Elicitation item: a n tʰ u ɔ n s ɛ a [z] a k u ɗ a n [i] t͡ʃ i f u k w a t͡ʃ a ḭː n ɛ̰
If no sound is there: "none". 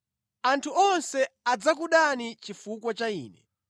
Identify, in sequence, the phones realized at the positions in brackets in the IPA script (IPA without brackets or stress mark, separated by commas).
d͡z, i